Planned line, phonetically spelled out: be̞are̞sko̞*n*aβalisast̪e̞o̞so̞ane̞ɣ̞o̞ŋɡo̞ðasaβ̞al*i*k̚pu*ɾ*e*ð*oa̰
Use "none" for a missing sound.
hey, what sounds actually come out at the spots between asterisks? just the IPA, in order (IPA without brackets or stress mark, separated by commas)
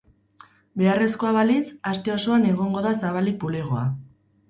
none, i, l, ɣ